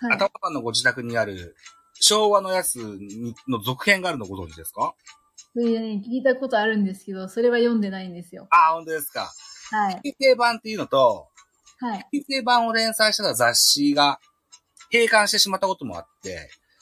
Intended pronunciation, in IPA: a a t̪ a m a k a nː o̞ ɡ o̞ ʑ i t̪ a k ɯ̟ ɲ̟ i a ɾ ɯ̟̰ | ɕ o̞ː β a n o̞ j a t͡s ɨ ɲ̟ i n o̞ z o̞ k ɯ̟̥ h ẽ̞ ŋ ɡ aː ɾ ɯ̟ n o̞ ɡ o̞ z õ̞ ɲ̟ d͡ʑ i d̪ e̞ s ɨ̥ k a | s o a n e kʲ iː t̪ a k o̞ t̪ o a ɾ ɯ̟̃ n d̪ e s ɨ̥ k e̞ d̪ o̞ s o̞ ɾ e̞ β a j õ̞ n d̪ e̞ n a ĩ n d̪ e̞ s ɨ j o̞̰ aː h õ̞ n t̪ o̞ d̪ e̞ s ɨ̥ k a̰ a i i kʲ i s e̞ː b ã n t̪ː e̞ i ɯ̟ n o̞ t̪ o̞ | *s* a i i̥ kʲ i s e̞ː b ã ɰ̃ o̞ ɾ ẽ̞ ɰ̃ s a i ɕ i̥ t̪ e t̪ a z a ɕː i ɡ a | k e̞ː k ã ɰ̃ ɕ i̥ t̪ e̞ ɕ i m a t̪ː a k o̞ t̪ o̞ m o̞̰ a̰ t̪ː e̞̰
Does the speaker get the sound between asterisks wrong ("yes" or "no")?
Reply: yes